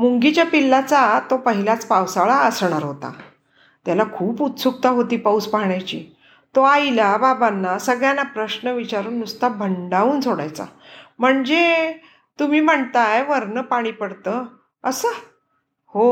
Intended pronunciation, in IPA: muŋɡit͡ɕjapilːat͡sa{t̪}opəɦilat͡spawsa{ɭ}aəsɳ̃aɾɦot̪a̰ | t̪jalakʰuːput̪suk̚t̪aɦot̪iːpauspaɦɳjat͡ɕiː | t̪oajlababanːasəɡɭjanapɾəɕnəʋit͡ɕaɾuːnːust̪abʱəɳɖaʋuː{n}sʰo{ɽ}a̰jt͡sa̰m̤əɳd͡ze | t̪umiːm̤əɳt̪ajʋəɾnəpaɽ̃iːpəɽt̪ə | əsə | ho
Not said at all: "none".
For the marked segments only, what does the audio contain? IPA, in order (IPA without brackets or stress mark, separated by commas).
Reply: t̪, ɭ, n, ɽ